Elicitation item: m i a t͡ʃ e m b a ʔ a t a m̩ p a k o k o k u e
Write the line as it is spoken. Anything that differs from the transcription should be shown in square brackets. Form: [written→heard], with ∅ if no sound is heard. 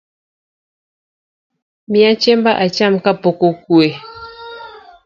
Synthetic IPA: m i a t͡ʃ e m b a ʔ a [t→t͡ʃ] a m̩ [p→k] a [k→p] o k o k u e